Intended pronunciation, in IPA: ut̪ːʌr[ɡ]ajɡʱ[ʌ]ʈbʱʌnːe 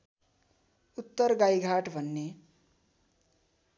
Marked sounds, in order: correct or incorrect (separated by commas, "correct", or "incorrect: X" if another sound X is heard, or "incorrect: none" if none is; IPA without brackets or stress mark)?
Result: correct, incorrect: a